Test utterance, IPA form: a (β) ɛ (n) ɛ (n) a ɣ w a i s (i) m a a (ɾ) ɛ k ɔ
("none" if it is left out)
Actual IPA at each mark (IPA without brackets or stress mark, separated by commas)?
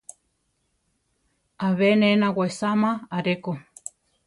β, n, n, a, ɾ